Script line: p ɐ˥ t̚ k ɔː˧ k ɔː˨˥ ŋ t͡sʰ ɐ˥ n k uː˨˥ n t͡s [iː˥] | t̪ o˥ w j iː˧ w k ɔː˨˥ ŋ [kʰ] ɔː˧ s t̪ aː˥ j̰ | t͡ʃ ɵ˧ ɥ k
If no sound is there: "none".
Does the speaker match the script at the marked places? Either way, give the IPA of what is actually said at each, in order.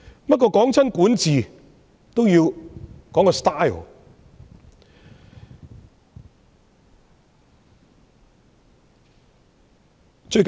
iː˨, k

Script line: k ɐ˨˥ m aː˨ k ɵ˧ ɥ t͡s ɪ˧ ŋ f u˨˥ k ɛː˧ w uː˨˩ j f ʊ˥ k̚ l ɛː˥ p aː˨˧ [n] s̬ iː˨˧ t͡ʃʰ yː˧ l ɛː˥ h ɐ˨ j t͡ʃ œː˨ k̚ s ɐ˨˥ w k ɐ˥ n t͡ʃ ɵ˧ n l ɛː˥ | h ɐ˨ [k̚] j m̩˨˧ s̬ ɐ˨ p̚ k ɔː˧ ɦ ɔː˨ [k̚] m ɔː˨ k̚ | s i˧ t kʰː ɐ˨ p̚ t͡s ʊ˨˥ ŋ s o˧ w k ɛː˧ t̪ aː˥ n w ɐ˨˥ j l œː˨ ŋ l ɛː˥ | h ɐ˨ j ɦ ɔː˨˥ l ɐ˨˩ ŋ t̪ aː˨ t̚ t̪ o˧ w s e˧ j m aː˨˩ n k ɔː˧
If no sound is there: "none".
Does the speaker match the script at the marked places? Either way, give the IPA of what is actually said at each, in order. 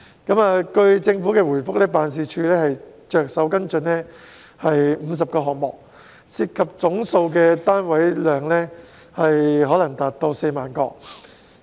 n, none, k̚

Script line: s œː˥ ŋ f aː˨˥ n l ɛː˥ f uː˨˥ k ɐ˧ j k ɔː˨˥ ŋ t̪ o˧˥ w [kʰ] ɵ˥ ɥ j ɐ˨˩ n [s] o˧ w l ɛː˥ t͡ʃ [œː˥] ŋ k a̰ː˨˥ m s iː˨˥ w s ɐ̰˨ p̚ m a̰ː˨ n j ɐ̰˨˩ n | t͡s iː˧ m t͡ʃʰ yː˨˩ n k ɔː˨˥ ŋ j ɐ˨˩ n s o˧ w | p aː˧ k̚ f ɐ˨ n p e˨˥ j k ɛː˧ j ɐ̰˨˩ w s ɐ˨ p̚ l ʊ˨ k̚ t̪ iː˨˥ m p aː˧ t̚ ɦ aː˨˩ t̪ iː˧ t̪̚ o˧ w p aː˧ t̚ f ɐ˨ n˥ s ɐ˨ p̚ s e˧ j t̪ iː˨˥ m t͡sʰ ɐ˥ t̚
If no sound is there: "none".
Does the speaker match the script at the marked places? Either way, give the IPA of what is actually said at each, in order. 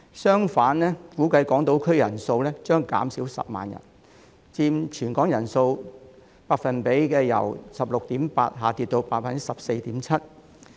kʰ, s, œː˥

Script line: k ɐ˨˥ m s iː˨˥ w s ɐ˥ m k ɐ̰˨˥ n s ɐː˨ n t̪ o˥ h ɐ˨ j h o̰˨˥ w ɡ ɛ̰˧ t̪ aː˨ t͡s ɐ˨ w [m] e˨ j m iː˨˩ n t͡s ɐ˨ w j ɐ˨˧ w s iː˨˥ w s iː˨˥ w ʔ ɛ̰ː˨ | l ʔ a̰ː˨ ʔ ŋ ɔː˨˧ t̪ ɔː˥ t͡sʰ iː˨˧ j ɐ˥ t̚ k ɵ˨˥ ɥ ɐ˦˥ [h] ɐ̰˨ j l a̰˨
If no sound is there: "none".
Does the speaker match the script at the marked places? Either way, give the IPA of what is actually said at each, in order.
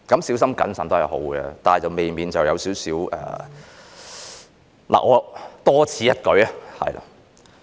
m, h

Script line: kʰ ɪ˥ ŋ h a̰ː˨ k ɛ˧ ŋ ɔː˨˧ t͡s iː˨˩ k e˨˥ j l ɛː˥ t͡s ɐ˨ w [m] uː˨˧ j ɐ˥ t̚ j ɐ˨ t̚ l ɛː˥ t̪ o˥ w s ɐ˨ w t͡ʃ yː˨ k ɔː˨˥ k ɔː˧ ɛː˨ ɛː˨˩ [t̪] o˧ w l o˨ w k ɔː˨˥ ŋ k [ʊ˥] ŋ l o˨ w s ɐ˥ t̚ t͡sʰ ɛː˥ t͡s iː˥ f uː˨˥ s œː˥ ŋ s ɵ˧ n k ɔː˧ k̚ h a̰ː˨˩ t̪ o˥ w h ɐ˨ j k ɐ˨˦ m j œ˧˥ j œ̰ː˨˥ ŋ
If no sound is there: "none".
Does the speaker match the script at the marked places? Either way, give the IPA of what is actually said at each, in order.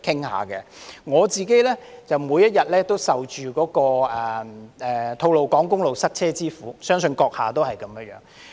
m, t̪ʰ, ʊ˥

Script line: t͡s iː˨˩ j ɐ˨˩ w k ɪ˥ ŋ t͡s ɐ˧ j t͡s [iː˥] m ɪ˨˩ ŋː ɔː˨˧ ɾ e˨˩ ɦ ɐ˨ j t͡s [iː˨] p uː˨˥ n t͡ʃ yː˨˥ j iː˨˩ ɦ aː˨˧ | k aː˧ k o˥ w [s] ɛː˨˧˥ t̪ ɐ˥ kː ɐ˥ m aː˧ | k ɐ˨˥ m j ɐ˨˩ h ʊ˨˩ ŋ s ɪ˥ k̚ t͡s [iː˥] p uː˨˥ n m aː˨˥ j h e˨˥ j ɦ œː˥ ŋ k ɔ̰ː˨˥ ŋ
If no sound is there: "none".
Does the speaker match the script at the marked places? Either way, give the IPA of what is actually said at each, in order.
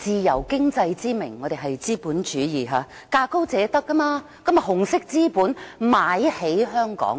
iː˥, iː˥, t͡s, iː˥

